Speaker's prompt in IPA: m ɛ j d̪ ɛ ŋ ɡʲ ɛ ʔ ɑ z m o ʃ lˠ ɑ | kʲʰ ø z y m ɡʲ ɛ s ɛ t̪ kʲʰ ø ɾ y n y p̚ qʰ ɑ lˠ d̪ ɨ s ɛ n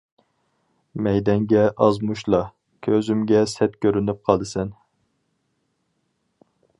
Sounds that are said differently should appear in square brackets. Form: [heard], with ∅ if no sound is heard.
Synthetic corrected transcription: m ɛ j d̪ ɛ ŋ ɡʲ ɛ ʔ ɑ z m [u] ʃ lˠ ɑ | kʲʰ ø z y m ɡʲ ɛ s ɛ t̪ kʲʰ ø ɾ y n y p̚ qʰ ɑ lˠ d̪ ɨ s ɛ n